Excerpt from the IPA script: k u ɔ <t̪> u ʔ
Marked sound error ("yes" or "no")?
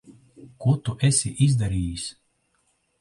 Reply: no